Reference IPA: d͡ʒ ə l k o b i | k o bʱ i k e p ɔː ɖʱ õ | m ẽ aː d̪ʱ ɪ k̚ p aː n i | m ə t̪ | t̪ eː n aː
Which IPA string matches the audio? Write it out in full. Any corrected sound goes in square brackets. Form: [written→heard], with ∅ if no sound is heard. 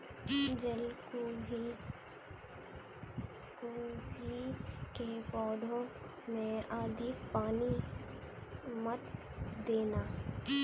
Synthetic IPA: d͡ʒ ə l k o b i | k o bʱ i k e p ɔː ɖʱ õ | m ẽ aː d̪ʱ ɪ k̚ p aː n i | m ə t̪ | [t̪→d̪] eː n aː

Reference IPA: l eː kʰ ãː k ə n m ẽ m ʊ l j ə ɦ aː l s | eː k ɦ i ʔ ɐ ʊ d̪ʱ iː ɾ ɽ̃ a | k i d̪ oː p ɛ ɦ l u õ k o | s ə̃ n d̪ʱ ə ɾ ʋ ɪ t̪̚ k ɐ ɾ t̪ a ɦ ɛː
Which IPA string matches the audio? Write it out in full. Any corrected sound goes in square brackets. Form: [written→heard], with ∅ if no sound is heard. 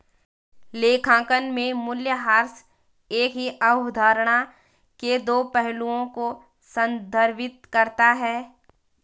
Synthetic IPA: l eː kʰ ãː k ə n m ẽ m ʊ l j ə ɦ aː [l→ɾ] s | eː k ɦ i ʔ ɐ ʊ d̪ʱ [iː→aː] ɾ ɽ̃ a | k [i→e] d̪ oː p ɛ ɦ l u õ k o | s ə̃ n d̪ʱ ə ɾ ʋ ɪ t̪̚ k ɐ ɾ t̪ a ɦ ɛː

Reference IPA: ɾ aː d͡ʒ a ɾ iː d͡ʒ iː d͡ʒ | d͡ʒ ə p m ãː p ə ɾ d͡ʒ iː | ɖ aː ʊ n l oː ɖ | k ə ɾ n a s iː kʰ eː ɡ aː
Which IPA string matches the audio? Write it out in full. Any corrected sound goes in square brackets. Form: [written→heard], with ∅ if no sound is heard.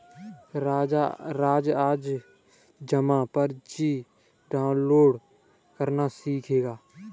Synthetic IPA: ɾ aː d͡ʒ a ɾ [iː→aː] d͡ʒ [iː→aː] d͡ʒ | d͡ʒ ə [p→∅] m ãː p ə ɾ d͡ʒ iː | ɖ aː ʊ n l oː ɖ | k ə ɾ n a s iː kʰ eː ɡ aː

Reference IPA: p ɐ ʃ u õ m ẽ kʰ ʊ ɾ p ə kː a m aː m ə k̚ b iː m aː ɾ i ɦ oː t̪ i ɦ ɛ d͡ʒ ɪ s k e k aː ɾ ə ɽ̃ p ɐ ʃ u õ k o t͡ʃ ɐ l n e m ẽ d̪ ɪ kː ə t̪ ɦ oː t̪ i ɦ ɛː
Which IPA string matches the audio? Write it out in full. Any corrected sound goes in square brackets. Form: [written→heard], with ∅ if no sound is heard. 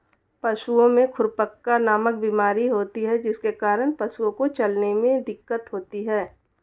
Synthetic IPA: p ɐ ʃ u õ m ẽ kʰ ʊ ɾ p ə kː a [m→n] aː m ə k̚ b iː m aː ɾ i ɦ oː t̪ i ɦ ɛ d͡ʒ ɪ s k e k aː ɾ ə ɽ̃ p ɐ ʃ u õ k o t͡ʃ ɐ l n e m ẽ d̪ ɪ kː ə t̪ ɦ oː t̪ i ɦ ɛː

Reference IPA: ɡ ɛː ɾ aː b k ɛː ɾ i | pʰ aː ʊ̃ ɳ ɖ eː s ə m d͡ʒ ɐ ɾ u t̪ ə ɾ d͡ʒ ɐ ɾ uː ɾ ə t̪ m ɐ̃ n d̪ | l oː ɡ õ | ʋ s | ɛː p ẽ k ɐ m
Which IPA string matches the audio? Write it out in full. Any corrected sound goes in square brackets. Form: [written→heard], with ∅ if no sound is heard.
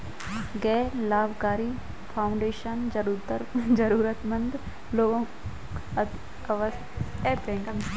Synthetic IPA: ɡ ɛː [ɾ→l] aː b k [ɛː→aː] ɾ i | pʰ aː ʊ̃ ɳ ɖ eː [s→ʃ] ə [m→n] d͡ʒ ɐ ɾ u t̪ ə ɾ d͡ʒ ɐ ɾ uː ɾ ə t̪ m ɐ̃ n d̪ | l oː ɡ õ | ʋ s | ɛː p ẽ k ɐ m

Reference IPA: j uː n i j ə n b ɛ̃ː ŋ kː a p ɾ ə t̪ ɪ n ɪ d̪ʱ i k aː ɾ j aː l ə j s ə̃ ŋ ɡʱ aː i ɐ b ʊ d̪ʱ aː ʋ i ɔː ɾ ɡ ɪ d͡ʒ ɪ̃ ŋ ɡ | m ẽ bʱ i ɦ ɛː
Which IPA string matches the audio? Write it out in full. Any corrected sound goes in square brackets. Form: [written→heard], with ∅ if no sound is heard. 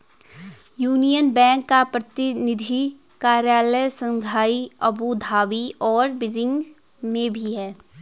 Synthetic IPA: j uː n i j ə n b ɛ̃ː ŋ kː a p ɾ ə t̪ ɪ n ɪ d̪ʱ i k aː ɾ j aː l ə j s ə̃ ŋ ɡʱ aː i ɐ b [ʊ→u] d̪ʱ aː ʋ i ɔː ɾ [ɡ→b] ɪ d͡ʒ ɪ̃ ŋ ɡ | m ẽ bʱ i ɦ ɛː

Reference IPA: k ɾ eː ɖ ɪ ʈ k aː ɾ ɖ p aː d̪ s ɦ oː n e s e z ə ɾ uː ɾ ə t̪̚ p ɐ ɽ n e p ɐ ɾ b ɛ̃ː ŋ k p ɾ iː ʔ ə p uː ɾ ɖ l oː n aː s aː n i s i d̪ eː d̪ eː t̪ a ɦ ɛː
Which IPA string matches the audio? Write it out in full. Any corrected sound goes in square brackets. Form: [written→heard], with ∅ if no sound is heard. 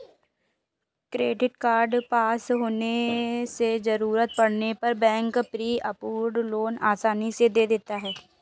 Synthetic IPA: k ɾ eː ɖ ɪ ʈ k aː ɾ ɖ p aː [d̪→∅] s ɦ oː n e s e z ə ɾ uː ɾ ə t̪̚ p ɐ ɽ n e p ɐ ɾ b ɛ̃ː ŋ k p ɾ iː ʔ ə p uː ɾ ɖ l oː n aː s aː n i s [i→e] d̪ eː d̪ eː t̪ a ɦ ɛː

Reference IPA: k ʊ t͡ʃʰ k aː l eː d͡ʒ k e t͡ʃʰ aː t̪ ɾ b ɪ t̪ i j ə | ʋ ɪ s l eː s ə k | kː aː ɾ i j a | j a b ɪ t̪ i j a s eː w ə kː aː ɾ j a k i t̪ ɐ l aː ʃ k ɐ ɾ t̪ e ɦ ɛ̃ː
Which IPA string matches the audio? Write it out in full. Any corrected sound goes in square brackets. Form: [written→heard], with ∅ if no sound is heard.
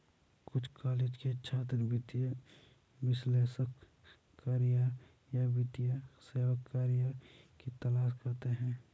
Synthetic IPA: k ʊ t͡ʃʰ k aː l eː d͡ʒ k e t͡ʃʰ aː t̪ ɾ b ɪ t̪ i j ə | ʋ ɪ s l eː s ə k | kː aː ɾ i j a | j a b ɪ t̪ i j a s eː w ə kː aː ɾ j a k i t̪ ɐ l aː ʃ k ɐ ɾ t̪ e ɦ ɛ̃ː

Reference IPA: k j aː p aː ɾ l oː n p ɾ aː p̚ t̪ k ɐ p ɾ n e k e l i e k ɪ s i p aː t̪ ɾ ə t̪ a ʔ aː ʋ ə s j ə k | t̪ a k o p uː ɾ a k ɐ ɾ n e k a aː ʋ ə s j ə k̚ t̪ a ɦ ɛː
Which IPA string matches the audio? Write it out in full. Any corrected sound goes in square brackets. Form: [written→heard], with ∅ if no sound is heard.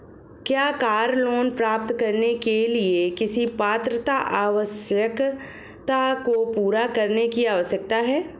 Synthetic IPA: k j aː [p→k] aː ɾ l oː n p ɾ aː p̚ t̪ k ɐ [p→∅] ɾ n e k e l i e k ɪ s i p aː t̪ ɾ ə t̪ a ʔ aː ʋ ə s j ə k | t̪ a k o p uː ɾ a k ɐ ɾ n e k [a→i] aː ʋ ə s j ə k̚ t̪ a ɦ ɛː

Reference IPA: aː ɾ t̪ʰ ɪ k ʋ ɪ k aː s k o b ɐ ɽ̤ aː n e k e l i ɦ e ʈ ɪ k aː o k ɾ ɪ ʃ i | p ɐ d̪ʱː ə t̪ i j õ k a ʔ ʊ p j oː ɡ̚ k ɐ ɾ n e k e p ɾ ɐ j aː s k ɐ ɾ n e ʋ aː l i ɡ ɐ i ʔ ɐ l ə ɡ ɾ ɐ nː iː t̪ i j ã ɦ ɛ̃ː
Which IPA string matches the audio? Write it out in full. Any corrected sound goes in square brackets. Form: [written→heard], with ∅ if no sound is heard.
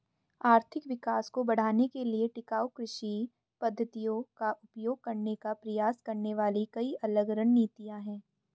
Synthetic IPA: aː ɾ t̪ʰ ɪ k ʋ ɪ k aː s k o b ɐ ɽ̤ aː n e k e l i [ɦ→∅] e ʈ ɪ k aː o k ɾ ɪ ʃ i | p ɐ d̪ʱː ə t̪ i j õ k a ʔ ʊ p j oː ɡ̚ k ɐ ɾ n e k [e→a] p ɾ ɐ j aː s k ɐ ɾ n e ʋ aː l i [ɡ→k] ɐ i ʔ ɐ l ə ɡ ɾ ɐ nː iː t̪ i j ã ɦ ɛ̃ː

